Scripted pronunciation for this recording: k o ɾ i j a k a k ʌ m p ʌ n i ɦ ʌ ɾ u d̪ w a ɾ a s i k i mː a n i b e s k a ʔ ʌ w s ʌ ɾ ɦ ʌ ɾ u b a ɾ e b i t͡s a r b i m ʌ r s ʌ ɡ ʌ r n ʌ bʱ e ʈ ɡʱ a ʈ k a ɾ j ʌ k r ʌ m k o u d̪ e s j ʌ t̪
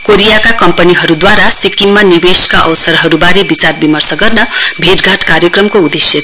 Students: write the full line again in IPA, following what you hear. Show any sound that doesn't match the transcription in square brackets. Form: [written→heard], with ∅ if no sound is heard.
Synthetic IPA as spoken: k o ɾ i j a k a k ʌ m p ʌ n i ɦ ʌ ɾ u d̪ w a ɾ a s i k i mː a n i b e s k a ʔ ʌ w s ʌ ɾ ɦ ʌ ɾ u b a ɾ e b i t͡s a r b i m ʌ r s ʌ ɡ ʌ r n ʌ bʱ e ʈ ɡʱ a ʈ k a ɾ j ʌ k r ʌ m k o u d̪ e s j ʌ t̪